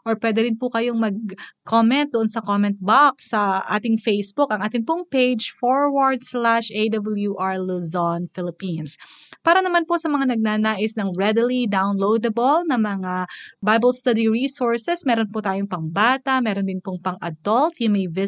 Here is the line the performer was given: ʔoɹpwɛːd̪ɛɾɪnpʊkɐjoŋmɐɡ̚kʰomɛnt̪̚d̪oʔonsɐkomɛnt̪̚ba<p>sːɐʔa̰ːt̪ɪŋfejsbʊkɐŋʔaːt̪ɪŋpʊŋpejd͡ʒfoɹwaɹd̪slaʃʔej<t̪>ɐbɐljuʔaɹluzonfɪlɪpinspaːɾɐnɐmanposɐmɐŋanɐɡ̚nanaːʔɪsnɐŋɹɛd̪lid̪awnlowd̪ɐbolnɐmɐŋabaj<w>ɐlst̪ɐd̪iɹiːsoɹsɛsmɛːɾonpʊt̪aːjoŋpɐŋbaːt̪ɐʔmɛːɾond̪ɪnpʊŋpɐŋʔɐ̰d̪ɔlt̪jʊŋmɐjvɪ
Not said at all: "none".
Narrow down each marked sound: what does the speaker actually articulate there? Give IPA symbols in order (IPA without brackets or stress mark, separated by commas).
k, d̪, b